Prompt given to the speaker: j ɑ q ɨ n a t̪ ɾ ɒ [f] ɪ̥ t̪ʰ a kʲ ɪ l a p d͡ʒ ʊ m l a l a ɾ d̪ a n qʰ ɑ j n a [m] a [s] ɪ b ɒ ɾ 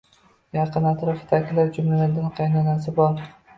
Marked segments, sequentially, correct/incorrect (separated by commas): correct, incorrect, correct